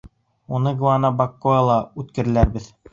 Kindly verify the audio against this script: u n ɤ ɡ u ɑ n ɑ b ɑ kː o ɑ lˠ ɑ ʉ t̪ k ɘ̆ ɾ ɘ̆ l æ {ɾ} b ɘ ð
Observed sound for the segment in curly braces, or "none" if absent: ɾ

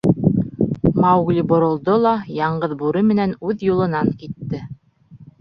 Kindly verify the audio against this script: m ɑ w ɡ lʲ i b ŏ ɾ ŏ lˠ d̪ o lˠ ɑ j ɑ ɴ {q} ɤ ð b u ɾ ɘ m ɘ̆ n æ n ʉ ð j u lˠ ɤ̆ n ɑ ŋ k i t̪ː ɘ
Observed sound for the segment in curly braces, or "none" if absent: ɢ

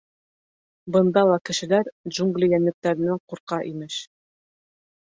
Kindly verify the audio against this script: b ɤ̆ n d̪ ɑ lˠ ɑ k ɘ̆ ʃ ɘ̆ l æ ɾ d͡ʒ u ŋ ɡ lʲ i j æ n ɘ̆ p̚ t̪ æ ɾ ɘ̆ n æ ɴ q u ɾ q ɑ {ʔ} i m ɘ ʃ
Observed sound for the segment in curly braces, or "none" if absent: ʔ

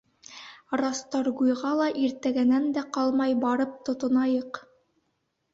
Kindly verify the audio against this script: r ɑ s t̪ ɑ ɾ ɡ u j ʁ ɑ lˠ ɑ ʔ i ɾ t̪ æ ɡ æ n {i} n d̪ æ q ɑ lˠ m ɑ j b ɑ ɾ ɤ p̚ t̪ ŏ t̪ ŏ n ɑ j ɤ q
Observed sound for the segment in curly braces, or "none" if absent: æ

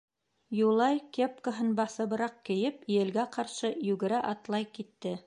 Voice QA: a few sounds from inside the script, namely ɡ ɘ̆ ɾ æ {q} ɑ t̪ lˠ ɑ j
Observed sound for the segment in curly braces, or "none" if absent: ʔ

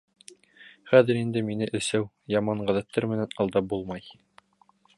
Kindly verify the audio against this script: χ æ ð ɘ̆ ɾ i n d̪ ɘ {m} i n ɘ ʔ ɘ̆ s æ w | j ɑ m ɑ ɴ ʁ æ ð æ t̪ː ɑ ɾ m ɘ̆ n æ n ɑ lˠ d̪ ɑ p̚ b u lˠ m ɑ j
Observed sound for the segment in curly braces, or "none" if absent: m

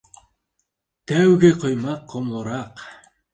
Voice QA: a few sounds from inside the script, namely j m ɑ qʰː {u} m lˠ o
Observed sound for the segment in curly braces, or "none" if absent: o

